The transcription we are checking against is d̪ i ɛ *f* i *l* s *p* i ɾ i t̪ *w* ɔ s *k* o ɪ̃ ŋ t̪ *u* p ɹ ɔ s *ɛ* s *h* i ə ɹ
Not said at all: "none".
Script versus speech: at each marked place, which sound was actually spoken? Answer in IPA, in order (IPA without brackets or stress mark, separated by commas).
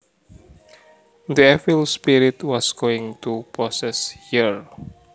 f, l, p, w, ɡ, u, ɛ, h